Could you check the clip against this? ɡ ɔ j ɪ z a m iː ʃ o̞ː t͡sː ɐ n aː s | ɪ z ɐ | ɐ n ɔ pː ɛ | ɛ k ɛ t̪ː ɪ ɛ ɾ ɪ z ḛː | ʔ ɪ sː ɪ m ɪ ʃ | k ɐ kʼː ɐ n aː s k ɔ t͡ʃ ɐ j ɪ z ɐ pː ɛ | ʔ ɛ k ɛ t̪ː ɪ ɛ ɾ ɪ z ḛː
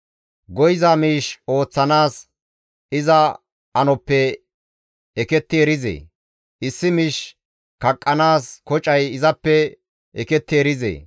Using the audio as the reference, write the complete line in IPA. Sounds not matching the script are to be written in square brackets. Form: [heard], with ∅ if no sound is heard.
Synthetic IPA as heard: ɡ ɔ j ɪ z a m iː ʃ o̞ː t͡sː ɐ n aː s | ɪ z ɐ | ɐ n ɔ pː ɛ | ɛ k ɛ t̪ː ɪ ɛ ɾ ɪ z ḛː | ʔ ɪ sː ɪ m ɪ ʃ | k ɐ kʼː ɐ n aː s k ɔ [t͡ʃʼ] ɐ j ɪ z ɐ pː ɛ | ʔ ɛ k ɛ t̪ː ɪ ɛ ɾ ɪ z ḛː